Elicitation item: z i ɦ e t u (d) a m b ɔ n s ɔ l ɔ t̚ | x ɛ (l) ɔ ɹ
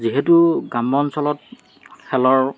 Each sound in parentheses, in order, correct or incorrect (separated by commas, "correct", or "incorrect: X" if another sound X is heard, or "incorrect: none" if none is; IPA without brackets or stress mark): incorrect: ɡ, correct